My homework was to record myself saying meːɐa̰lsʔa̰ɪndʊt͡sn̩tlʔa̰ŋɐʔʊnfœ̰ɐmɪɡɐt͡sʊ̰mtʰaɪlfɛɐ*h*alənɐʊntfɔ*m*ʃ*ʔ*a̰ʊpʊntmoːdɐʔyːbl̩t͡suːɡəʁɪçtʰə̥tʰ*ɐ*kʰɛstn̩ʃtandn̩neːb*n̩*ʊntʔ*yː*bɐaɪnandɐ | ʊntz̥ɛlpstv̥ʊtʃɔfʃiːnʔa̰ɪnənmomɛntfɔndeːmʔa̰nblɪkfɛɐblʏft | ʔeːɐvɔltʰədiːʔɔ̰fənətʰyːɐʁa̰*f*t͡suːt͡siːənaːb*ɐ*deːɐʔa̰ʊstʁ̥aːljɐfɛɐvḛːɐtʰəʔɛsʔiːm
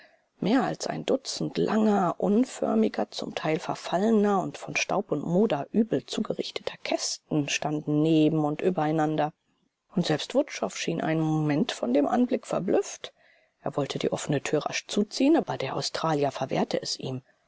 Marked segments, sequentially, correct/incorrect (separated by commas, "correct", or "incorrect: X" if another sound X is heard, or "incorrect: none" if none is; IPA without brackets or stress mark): incorrect: f, incorrect: n, incorrect: t, correct, incorrect: m̩, correct, incorrect: ʃ, correct